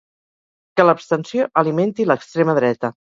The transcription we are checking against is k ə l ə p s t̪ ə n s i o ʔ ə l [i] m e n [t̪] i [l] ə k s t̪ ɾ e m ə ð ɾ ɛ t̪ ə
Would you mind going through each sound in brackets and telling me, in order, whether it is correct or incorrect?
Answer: correct, correct, correct

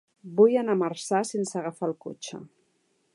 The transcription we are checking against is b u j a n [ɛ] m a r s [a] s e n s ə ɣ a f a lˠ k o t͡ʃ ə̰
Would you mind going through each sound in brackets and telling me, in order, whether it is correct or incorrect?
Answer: incorrect: a, correct

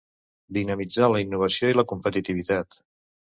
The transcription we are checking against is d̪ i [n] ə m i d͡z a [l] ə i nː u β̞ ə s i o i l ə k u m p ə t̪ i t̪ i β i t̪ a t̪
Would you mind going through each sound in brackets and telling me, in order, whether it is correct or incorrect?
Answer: correct, correct

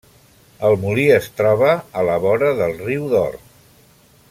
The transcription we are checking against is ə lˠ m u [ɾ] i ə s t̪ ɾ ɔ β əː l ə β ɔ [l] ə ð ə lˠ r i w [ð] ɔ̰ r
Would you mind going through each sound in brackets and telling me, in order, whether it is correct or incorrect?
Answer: incorrect: l, incorrect: ɾ, correct

